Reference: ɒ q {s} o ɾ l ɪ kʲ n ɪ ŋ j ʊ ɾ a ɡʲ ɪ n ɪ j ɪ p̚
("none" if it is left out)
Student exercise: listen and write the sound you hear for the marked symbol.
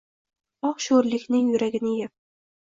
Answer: ʃ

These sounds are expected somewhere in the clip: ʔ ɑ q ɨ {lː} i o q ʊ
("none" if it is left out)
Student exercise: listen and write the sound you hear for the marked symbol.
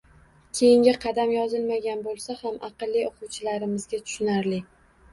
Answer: lː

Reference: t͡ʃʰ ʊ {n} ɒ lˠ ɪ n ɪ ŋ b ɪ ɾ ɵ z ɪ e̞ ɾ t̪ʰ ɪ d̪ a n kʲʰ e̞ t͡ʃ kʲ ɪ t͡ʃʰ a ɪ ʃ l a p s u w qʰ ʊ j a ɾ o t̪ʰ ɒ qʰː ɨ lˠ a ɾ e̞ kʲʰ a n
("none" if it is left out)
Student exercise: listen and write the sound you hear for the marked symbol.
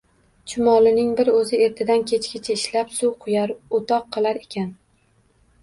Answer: m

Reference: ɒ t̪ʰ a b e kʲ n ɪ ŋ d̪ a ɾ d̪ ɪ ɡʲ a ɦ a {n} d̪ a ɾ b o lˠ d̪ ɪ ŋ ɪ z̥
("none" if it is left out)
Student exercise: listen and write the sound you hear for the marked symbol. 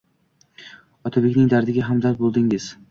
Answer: m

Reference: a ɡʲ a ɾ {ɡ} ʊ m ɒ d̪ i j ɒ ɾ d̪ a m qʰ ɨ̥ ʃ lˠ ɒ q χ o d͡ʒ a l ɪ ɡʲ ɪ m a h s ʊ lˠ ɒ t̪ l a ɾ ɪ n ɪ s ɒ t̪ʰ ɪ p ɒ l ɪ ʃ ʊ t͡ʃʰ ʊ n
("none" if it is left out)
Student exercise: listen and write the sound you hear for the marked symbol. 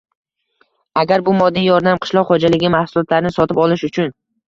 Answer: b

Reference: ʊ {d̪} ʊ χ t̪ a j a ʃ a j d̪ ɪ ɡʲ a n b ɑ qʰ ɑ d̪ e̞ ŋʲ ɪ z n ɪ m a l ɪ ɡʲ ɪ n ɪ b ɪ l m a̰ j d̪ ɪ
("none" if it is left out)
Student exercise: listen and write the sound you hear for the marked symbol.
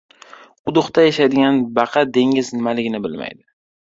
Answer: d̪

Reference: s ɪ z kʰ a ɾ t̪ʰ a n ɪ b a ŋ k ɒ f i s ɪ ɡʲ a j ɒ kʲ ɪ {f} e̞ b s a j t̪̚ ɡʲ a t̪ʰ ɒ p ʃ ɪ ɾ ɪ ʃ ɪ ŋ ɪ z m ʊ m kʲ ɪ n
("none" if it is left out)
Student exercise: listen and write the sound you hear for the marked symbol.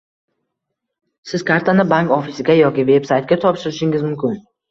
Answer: v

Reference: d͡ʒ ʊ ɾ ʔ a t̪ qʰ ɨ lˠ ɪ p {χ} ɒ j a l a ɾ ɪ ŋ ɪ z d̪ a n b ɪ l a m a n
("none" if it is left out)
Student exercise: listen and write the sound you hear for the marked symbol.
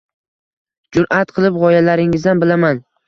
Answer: ʁ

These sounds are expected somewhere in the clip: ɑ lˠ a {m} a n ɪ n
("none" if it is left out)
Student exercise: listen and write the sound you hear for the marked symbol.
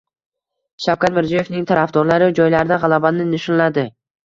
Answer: b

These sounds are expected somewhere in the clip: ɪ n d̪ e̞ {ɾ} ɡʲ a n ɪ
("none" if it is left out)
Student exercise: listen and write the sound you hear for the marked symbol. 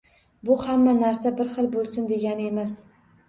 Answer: none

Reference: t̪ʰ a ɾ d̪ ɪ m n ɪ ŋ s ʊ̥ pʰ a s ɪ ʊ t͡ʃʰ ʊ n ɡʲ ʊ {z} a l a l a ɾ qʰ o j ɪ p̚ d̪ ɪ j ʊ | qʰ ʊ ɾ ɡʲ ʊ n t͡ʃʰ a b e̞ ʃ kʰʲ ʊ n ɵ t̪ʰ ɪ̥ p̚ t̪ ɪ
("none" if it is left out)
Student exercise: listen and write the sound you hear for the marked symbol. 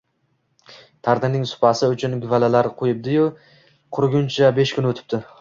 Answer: v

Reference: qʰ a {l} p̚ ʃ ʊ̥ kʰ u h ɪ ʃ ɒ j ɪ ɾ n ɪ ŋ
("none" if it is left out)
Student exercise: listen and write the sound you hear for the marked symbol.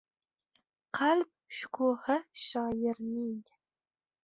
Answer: l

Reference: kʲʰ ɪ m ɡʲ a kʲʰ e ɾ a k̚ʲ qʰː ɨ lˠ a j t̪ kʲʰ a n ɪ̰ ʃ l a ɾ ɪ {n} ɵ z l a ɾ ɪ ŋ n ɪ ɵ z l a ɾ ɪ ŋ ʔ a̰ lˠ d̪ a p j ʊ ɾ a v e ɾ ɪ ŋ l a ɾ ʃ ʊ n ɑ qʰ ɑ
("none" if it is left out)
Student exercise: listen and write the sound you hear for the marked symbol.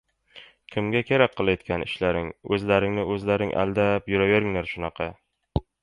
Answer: ŋ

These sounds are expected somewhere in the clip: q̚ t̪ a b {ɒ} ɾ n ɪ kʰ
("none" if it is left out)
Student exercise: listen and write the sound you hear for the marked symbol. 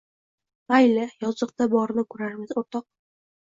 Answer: ɒ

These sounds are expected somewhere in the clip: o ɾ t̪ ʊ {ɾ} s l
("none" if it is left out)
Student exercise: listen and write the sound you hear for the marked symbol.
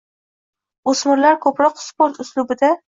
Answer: none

